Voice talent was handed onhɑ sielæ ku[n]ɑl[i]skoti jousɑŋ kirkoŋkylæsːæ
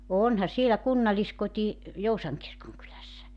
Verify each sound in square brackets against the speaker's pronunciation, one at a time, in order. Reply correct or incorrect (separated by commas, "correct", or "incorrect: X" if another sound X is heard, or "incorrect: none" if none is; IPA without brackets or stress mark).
incorrect: nː, correct